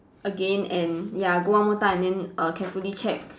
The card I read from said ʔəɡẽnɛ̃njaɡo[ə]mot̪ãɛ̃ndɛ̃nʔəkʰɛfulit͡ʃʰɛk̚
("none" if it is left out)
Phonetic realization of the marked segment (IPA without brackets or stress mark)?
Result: a